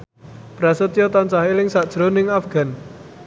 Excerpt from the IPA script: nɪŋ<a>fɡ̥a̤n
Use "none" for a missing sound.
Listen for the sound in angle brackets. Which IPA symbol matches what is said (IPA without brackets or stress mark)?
a